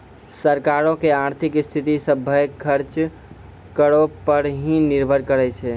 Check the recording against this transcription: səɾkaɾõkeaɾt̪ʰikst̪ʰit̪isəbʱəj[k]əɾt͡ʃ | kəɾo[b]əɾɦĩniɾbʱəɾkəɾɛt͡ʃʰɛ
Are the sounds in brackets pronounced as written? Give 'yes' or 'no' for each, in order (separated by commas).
no, no